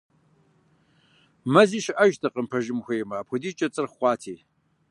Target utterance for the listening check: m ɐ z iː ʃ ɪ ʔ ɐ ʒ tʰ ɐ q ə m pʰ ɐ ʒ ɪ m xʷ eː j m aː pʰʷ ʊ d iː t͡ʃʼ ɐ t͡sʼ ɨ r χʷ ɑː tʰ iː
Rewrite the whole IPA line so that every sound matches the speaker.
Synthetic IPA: m ɐ z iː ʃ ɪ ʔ ɐ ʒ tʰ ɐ q ə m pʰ ɐ ʒ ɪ m xʷ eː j m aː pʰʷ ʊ d iː t͡ʃʼ ɐ t͡sʼ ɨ r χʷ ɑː tʰ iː